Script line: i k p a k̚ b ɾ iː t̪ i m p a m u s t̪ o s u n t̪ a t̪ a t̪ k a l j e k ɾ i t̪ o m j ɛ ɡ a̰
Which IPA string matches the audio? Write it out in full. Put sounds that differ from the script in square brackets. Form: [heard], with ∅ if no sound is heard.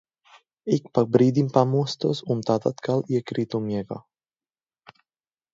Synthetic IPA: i k p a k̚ b ɾ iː [d̪] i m p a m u s t̪ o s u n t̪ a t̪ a t̪ k a l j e k ɾ i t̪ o m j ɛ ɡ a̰